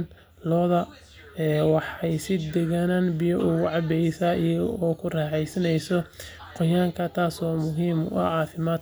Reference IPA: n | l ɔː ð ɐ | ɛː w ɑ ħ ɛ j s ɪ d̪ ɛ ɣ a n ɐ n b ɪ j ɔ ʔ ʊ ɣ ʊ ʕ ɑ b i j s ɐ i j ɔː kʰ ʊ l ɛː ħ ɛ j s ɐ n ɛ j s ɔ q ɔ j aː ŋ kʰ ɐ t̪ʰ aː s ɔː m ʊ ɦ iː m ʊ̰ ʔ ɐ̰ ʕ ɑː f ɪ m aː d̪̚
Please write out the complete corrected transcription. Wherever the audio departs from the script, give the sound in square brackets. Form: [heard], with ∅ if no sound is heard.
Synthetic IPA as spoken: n | l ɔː ð ɐ | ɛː w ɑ ħ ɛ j s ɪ d̪ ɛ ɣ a n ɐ n b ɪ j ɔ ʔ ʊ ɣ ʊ ʕ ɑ b [ɛ] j s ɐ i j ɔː kʰ ʊ [r] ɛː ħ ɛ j s ɐ n ɛ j s ɔ q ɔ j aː ŋ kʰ ɐ t̪ʰ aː s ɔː m ʊ ɦ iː m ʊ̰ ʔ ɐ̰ ʕ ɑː f ɪ m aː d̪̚